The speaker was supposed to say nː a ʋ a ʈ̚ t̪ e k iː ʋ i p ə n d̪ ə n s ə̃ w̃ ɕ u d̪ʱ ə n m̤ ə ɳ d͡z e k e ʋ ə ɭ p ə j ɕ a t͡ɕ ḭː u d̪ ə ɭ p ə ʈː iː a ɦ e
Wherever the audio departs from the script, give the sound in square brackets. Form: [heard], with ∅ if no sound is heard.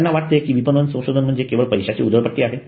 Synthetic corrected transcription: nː a ʋ a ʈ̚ t̪ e k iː ʋ i p ə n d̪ ə n s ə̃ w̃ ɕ [o] d̪ʱ ə n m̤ ə ɳ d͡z e k e ʋ ə ɭ p ə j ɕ a t͡ɕ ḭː u d̪ ə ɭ p ə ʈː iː a ɦ e